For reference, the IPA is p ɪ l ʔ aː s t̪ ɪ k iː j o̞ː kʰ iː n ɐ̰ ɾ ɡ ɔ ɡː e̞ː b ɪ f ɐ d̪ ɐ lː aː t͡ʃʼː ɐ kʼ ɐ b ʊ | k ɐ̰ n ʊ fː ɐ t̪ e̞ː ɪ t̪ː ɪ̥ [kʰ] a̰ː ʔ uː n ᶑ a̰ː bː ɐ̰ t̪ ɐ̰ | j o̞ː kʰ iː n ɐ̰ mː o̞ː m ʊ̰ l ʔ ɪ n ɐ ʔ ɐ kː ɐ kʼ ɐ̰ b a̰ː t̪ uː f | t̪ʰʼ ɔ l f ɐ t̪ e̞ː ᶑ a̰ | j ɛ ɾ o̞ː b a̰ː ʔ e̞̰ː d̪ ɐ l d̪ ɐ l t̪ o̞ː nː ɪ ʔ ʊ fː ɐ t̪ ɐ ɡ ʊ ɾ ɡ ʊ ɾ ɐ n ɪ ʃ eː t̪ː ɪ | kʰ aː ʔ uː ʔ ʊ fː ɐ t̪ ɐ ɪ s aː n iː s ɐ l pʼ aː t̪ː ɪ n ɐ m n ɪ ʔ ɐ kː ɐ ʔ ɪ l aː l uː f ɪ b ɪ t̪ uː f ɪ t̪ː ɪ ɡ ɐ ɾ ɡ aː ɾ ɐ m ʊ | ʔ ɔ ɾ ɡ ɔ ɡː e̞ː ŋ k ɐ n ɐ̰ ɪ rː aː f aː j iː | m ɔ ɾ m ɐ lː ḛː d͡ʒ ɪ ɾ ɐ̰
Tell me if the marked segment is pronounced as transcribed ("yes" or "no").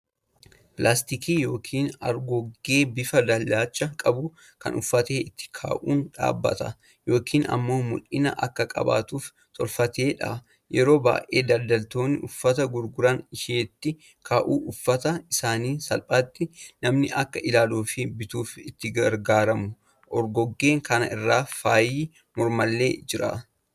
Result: yes